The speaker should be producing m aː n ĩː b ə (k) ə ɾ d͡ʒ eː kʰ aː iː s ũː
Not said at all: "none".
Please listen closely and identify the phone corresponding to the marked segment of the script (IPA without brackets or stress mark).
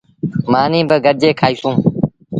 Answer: ɡ